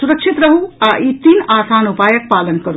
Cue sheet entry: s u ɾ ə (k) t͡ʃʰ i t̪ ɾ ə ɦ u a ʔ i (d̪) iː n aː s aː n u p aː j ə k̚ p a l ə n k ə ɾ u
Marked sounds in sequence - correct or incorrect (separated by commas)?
correct, incorrect